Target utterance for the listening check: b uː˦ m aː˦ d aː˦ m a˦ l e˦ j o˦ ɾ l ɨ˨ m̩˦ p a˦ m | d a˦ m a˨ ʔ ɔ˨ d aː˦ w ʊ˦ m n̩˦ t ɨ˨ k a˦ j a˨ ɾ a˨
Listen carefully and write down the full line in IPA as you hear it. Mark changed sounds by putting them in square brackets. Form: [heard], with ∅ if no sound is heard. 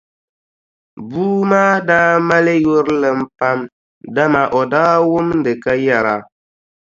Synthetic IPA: b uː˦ m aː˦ d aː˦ m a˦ l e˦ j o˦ ɾ l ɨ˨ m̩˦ p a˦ m | d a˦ m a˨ ʔ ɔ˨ d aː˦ w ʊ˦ m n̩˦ [d] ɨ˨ k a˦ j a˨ ɾ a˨